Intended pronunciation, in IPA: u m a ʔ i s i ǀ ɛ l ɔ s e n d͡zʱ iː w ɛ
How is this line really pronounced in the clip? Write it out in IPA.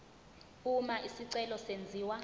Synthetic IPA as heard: u m a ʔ i s i ǀ ɛ l ɔ s e n d͡zʱ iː w a